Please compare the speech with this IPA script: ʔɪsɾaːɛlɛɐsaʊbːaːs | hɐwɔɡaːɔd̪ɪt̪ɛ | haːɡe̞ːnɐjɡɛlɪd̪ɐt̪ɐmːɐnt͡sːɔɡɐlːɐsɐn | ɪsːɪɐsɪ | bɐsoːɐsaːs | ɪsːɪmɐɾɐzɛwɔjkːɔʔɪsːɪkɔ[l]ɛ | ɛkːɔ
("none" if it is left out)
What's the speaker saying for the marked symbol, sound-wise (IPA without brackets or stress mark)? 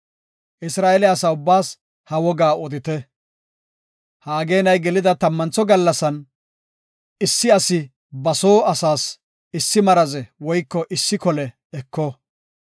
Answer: l